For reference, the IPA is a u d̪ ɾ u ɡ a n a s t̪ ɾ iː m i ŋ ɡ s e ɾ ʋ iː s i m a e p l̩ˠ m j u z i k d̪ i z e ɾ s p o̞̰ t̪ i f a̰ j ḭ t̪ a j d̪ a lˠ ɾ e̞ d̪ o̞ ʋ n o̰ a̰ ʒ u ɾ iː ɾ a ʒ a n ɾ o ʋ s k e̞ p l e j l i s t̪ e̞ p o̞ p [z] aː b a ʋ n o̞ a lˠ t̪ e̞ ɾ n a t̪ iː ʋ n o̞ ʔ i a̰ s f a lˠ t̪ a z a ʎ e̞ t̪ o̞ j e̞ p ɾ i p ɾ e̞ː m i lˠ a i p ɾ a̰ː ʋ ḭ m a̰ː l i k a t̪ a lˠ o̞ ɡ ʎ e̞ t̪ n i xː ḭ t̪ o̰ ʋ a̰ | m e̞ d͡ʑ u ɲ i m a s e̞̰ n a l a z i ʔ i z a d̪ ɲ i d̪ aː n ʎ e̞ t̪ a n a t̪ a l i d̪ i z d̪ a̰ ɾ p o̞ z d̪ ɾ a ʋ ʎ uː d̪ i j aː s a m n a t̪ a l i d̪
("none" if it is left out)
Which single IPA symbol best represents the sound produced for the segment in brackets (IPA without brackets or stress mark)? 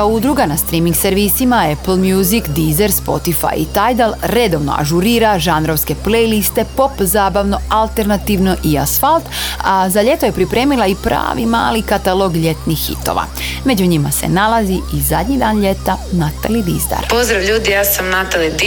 z